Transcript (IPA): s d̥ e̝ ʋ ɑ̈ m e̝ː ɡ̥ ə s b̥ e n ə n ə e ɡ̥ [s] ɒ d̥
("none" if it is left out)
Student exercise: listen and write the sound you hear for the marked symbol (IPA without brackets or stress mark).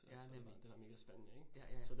s